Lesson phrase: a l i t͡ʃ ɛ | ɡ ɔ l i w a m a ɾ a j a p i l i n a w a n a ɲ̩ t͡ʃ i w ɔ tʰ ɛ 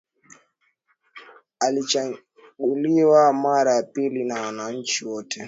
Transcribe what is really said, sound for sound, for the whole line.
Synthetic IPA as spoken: a l i t͡ʃ a | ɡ u l i w a m a ɾ a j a p i l i n a w a n a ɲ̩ t͡ʃ i w ɔ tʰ ɛ

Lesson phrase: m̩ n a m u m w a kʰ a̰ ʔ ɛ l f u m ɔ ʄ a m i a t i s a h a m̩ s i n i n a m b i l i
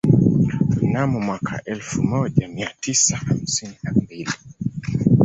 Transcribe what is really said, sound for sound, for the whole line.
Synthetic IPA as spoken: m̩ n a m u m w a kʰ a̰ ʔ ɛ l f u m ɔ ʄ a m i a t i s a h a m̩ s i n i n a m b i l i

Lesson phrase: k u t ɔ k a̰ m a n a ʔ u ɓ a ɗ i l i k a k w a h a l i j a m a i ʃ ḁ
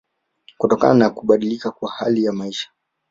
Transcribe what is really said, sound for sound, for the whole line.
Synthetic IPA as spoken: k u t ɔ k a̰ n a n a k u ɓ a ɗ i l i k a k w a h a l i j a m a i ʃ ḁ

